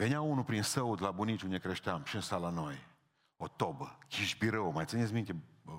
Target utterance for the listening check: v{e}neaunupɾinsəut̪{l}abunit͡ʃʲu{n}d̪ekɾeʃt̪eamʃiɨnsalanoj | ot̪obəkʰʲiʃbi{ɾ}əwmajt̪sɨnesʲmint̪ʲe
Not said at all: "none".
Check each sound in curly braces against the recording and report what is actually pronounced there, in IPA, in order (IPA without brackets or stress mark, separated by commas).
e, l, n, ɾ